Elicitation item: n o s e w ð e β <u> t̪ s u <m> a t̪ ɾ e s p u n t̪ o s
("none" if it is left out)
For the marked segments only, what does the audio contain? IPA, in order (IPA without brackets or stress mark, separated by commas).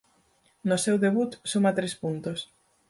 u, m